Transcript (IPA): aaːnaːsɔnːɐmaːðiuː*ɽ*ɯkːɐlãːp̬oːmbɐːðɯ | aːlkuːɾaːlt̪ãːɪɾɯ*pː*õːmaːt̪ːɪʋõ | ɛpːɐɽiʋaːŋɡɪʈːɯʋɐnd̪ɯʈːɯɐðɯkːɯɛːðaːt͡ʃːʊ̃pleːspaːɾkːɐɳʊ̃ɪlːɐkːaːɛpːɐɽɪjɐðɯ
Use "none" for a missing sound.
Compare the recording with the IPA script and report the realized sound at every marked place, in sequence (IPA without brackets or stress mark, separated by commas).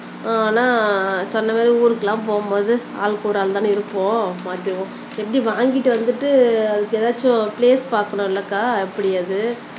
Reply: ɾ, pː